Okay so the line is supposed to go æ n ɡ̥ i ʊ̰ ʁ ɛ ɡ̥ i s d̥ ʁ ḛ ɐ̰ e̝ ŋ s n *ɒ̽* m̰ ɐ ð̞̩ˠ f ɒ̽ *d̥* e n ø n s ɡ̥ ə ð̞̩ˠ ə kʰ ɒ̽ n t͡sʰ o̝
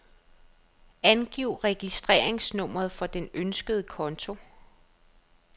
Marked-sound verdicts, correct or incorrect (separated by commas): incorrect, correct